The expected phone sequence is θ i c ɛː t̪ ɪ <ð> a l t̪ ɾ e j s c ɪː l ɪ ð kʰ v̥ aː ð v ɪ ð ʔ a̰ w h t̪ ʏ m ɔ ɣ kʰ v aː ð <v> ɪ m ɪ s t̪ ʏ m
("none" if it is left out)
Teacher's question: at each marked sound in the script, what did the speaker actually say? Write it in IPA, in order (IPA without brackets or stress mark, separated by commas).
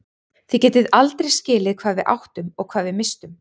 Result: ð, v